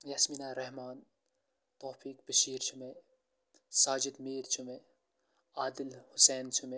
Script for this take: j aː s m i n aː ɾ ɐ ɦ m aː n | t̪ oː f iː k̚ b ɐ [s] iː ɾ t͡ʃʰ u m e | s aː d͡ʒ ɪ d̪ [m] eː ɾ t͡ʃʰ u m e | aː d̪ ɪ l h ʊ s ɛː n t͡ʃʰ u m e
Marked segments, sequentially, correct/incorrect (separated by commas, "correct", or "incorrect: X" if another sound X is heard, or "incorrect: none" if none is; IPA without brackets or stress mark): incorrect: ʃ, correct